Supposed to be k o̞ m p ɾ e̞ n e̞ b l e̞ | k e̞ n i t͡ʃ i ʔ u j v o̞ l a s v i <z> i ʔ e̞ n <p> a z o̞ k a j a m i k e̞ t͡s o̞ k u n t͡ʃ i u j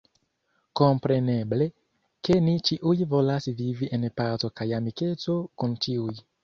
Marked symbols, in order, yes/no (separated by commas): no, yes